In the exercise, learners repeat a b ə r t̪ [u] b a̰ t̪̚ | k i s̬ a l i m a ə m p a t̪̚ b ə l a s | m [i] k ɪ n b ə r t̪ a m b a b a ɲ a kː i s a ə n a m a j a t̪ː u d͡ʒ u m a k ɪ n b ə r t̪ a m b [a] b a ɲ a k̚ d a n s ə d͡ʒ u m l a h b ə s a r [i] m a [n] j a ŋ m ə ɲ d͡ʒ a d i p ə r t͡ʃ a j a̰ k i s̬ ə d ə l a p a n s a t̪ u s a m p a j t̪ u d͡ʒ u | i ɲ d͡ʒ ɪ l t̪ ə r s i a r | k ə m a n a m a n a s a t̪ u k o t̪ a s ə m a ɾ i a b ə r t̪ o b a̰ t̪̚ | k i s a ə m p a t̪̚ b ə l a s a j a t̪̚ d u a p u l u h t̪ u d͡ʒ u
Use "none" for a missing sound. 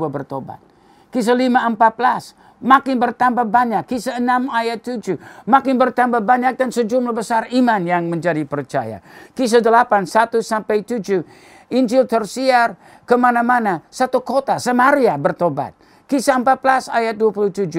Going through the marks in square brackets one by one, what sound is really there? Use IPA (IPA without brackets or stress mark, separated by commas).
o, a, a, i, n